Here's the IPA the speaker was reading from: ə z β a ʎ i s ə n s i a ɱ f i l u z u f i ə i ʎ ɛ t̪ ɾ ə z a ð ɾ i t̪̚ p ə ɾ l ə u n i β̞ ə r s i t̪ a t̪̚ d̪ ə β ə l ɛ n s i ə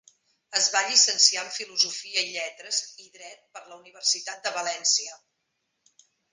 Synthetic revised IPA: ə z β a ʎ i s ə n s i a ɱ f i l u z u f i ə i ʎ ɛ t̪ ɾ ə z i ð ɾ ɛ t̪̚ p ə ɾ l ə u n i β̞ ə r s i t̪ a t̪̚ d̪ ə β ə l ɛ n s i ə